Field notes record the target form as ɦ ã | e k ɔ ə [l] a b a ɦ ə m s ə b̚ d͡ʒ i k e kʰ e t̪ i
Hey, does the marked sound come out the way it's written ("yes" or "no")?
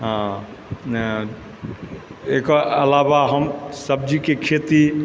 yes